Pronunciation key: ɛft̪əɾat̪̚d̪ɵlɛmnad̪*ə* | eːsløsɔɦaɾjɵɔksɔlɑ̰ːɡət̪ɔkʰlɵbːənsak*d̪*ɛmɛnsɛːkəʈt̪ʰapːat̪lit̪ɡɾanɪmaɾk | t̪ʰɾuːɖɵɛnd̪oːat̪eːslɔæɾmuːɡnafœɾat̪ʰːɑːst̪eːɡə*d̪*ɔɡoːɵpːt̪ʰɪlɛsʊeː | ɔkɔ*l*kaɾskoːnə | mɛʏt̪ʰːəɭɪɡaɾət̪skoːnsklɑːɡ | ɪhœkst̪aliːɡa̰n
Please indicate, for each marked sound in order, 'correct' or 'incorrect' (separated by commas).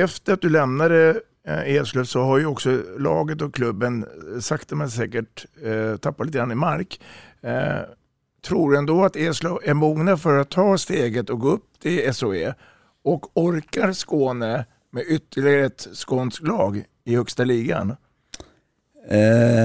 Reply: correct, incorrect, incorrect, incorrect